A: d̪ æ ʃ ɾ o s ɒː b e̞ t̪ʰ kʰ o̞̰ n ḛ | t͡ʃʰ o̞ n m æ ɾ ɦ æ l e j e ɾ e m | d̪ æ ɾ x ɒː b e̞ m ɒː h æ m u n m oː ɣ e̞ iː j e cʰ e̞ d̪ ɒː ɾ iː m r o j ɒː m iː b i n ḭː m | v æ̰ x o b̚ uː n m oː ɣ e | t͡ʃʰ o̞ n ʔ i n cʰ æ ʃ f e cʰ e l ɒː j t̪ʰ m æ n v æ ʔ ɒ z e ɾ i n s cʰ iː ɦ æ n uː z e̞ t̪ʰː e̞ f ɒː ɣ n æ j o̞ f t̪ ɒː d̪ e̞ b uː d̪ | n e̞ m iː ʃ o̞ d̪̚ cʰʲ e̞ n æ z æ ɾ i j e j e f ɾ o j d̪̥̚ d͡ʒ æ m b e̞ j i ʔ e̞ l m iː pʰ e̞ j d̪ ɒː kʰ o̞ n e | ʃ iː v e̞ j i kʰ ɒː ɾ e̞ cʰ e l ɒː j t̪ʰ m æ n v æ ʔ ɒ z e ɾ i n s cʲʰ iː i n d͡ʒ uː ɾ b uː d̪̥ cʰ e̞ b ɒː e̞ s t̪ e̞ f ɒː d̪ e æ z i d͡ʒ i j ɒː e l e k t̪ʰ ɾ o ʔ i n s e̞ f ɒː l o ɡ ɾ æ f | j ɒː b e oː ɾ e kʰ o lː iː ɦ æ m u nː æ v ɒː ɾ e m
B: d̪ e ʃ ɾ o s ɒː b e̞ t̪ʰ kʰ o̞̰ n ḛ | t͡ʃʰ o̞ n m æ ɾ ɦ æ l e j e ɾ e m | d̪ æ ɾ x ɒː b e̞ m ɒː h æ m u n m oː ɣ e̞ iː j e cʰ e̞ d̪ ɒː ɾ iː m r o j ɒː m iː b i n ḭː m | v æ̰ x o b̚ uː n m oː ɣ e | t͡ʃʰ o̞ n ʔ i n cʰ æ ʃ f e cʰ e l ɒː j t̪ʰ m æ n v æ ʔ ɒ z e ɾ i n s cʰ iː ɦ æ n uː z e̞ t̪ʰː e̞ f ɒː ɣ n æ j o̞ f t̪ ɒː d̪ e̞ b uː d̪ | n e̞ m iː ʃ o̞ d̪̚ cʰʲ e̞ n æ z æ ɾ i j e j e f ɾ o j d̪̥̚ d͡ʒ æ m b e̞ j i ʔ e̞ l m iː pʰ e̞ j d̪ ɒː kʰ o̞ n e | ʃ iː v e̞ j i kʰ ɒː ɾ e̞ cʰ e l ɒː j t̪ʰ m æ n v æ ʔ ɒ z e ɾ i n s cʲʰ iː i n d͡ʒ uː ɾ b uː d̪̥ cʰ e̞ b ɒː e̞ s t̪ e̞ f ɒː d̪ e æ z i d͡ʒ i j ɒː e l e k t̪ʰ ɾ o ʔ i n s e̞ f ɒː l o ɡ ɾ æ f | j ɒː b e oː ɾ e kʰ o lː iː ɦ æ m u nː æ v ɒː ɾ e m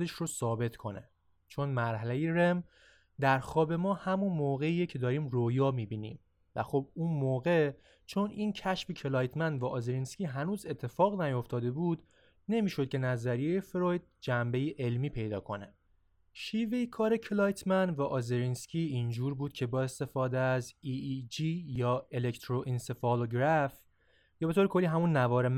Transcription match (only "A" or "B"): B